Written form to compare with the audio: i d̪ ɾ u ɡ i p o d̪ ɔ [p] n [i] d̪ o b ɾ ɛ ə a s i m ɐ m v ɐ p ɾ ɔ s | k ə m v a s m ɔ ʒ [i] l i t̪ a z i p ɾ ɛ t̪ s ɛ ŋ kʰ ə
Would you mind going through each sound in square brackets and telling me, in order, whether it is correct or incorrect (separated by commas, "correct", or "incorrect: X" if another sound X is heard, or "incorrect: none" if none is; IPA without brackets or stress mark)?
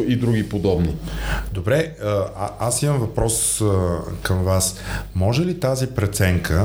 incorrect: b, correct, incorrect: ɛ